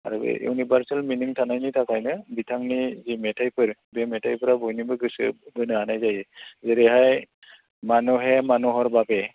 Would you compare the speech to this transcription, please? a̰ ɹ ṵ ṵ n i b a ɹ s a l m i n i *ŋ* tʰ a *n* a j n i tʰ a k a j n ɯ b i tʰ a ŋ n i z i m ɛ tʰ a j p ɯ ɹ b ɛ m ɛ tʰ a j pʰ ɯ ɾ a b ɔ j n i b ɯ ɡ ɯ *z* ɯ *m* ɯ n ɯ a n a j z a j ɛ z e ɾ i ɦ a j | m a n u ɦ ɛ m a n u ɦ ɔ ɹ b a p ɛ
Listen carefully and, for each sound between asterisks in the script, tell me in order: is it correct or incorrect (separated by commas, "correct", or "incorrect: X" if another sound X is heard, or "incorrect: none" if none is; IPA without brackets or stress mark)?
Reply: correct, correct, incorrect: s, incorrect: b